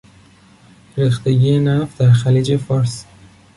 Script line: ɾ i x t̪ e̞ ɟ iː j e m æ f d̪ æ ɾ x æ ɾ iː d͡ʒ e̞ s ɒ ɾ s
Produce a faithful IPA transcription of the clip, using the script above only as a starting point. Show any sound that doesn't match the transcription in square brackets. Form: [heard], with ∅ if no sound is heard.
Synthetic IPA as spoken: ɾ i x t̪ e̞ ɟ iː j e [n] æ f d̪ æ ɾ x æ [l] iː d͡ʒ e̞ [f] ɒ ɾ s